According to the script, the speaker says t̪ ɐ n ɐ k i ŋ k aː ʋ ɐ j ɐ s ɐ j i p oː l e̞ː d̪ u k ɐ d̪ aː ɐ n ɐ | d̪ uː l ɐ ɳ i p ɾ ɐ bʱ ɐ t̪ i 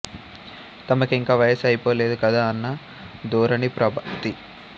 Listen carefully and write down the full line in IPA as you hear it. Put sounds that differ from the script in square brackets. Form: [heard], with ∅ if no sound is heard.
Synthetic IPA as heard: t̪ ɐ [m] ɐ k i ŋ k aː ʋ ɐ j ɐ s ɐ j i p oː l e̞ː d̪ u k ɐ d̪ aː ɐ [nː] ɐ | d̪ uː [ɾ] ɐ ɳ i p ɾ ɐ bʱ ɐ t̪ i